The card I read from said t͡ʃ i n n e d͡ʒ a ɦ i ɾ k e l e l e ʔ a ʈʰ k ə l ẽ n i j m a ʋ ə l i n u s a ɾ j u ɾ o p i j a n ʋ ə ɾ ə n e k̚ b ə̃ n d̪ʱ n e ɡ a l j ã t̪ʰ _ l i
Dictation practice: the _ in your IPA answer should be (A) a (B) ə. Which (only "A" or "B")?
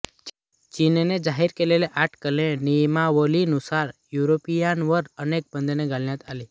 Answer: A